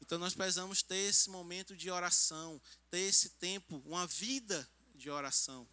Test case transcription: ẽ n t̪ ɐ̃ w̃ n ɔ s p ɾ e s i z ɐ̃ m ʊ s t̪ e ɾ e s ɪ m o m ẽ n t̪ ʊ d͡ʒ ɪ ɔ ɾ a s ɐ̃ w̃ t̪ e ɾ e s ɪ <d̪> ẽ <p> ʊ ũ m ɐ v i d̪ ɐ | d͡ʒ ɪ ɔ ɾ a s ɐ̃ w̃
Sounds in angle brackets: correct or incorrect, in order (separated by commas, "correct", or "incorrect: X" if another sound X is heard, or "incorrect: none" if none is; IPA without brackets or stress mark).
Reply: incorrect: t̪, correct